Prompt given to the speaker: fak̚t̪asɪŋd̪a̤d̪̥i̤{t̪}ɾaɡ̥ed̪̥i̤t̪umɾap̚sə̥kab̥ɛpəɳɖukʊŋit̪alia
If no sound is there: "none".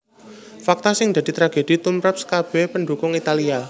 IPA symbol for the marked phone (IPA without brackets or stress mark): t̪